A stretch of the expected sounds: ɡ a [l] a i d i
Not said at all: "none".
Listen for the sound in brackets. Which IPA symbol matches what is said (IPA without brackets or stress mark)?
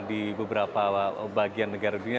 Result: ɾ